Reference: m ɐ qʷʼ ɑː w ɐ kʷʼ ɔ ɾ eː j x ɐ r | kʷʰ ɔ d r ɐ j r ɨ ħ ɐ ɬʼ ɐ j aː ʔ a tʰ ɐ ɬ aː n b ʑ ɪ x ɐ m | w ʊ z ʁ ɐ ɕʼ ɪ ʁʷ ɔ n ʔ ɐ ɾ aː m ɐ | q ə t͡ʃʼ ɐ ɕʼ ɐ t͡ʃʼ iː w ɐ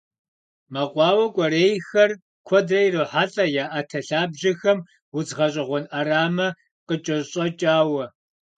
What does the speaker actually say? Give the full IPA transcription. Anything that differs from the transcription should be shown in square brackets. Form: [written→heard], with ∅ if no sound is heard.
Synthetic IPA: m ɐ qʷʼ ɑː w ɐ kʷʼ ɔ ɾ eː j x ɐ r | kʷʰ ɔ d r ɐ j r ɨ ħ [ɐ→a] ɬʼ ɐ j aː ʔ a tʰ ɐ ɬ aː [n→∅] b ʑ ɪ x ɐ m | w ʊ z ʁ ɐ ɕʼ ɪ ʁʷ ɔ n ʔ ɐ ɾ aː m ɐ | q ə t͡ʃʼ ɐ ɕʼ ɐ t͡ʃʼ [iː→aː] w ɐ